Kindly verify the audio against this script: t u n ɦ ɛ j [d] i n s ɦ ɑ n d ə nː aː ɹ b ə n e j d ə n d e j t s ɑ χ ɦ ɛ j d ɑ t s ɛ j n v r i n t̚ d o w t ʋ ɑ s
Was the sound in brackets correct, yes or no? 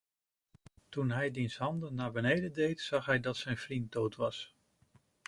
yes